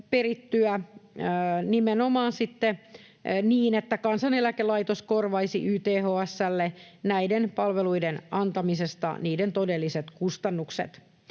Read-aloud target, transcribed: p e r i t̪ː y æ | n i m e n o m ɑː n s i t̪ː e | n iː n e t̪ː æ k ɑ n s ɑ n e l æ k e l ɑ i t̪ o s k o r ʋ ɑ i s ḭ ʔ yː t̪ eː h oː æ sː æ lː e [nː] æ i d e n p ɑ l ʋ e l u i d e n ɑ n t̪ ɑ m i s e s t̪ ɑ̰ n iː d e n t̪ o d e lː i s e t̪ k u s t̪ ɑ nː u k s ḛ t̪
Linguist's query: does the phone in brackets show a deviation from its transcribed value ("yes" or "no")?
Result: yes